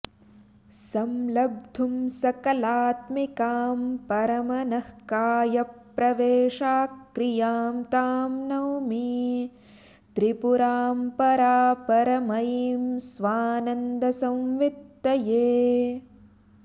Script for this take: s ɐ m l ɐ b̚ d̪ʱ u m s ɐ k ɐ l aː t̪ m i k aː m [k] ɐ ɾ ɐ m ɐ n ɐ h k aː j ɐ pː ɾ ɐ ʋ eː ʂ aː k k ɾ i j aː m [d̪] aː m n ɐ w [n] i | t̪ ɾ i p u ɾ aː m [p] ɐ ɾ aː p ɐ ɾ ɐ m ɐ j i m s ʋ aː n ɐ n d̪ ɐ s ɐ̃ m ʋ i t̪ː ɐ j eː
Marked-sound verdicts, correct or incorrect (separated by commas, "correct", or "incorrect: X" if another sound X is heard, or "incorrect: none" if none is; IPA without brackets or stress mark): incorrect: p, incorrect: t̪, incorrect: m, correct